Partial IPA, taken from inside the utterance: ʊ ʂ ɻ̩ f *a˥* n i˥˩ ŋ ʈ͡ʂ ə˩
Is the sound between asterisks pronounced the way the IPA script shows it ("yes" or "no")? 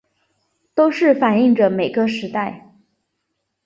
no